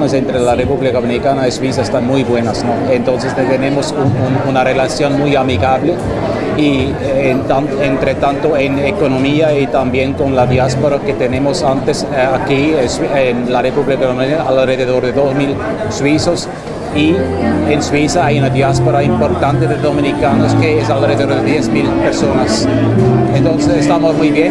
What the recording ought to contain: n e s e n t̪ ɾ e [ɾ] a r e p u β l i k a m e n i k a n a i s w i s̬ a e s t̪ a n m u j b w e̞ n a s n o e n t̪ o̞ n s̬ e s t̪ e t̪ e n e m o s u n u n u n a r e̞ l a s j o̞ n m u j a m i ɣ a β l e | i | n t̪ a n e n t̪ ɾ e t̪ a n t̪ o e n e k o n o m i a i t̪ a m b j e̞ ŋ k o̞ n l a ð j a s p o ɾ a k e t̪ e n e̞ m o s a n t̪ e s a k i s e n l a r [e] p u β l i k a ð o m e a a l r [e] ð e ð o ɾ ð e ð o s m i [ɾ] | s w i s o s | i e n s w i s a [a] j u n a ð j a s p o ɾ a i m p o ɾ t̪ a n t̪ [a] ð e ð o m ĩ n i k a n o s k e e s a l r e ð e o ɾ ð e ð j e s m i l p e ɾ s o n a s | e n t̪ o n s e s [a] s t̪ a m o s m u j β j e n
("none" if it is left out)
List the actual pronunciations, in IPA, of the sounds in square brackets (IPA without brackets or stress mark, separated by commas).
l, e, e, l, a, e, e